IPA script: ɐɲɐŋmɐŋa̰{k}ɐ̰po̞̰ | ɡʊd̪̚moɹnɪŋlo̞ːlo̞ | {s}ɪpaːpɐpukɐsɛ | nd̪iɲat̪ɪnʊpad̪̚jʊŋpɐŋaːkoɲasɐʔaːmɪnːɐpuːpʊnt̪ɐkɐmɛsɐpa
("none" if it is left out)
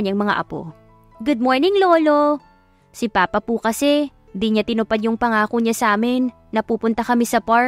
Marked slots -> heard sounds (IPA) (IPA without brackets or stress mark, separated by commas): ʔ, s